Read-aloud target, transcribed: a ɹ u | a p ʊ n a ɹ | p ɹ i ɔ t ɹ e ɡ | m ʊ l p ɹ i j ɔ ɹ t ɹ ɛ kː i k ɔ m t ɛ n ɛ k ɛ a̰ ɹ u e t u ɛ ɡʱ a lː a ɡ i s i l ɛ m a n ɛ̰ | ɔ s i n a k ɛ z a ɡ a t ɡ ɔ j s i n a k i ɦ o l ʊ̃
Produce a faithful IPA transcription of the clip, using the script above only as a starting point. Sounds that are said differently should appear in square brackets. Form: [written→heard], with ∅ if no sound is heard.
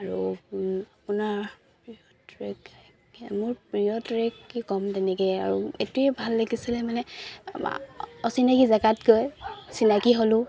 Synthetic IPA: a ɹ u | a p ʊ n a ɹ | p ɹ i ɔ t ɹ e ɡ | m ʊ [l→ɹ] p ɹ i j ɔ [ɹ→∅] t ɹ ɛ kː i k ɔ m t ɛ n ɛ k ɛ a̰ ɹ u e t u ɛ [ɡʱ→bʱ] a lː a ɡ i s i l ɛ m a n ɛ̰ | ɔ s i n a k [ɛ→i] z a ɡ a t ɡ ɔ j s i n a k i ɦ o l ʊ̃